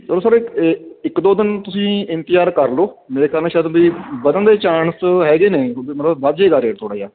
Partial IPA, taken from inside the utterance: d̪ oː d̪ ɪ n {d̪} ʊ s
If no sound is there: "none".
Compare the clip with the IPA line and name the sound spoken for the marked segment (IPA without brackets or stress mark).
t̪